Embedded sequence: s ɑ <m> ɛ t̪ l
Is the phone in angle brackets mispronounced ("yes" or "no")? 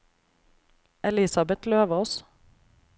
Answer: yes